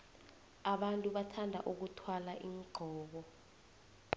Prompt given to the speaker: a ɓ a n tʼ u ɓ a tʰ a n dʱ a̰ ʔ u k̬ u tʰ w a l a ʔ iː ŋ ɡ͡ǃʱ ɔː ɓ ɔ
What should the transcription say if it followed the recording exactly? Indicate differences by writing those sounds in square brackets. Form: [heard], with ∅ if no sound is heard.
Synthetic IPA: a ɓ a n tʼ u ɓ a tʰ a n dʱ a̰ ʔ u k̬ u tʰ w a l a ʔ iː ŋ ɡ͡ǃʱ ɔː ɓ ɔ